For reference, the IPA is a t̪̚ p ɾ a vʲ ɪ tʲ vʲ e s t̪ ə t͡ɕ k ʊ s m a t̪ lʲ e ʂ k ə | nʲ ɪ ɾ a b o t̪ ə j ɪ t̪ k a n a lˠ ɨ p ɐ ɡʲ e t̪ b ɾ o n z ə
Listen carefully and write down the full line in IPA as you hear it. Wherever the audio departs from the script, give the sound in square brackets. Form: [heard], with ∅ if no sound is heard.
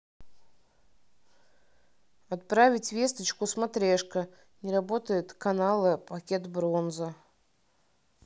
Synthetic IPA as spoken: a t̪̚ p ɾ a vʲ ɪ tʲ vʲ e s t̪ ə t͡ɕ k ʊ s m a t̪ [ɾʲ] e ʂ k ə | nʲ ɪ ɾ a b o t̪ ə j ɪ t̪ k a n a lˠ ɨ p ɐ [kʲ] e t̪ b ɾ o n z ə